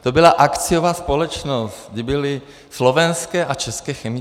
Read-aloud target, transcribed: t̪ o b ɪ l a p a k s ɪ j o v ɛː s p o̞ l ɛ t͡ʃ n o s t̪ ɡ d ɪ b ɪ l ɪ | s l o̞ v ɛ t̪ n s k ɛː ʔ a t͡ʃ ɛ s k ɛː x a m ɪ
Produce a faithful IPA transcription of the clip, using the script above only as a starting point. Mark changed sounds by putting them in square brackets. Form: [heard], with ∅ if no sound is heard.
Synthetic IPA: t̪ o b ɪ l a [ʔ] a k [t͡s] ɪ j o v [aː] s p o̞ l ɛ t͡ʃ n o s t̪ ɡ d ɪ b ɪ l ɪ | s l o̞ v ɛ [∅] n s k ɛː ʔ a t͡ʃ ɛ s k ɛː x [ɛ] m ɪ

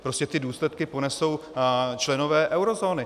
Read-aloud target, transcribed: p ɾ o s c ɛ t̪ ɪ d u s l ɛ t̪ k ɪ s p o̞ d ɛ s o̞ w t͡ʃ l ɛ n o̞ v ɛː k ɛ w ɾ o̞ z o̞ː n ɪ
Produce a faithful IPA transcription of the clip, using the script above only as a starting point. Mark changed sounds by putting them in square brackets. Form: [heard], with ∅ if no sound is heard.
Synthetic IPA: p ɾ o s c ɛ t̪ ɪ d [uː] s l ɛ t̪ k ɪ [∅] p o̞ [n] ɛ s o̞ w t͡ʃ l ɛ n o̞ v ɛː [ʔ] ɛ w ɾ o̞ z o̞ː n ɪ

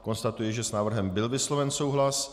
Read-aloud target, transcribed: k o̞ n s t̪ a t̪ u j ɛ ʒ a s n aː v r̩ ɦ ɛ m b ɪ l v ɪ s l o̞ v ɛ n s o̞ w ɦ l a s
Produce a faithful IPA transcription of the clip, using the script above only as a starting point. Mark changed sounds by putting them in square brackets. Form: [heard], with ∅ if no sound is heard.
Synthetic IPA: k o̞ n s t̪ a t̪ u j ɛ ʒ [ɛ] s n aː v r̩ ɦ ɛ m b ɪ l v ɪ s l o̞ v ɛ n s o̞ w ɦ l a s

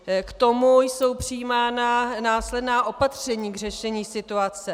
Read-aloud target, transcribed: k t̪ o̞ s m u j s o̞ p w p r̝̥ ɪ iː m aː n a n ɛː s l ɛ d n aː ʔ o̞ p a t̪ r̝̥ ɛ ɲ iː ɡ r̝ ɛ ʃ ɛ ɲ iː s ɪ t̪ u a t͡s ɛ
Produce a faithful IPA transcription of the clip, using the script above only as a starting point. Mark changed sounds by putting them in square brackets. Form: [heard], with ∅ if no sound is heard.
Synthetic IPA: k t̪ o̞ [∅] m u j s o̞ [∅] w p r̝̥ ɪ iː m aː n a n [aː] s l ɛ d n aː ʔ o̞ p a t̪ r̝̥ ɛ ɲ iː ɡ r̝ ɛ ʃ ɛ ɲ iː s ɪ t̪ u a t͡s ɛ

